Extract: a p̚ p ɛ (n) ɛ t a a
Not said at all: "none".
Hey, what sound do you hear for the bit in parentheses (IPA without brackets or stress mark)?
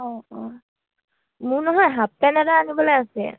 n